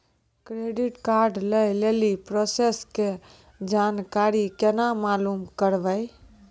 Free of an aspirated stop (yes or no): yes